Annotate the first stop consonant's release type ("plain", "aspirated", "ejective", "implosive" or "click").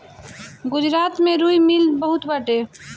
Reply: plain